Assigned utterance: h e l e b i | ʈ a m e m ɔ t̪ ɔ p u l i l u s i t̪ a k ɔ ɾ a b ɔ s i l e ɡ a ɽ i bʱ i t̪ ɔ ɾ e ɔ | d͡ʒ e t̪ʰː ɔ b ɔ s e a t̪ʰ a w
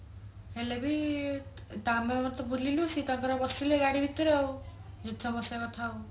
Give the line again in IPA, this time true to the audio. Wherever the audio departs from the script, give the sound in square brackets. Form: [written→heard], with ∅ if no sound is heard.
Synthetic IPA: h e l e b i | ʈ a m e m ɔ t̪ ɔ [p→b] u l i l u s i t̪ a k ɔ ɾ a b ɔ s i l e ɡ a ɽ i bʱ i t̪ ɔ ɾ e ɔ | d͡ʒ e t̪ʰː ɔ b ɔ s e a t̪ʰ a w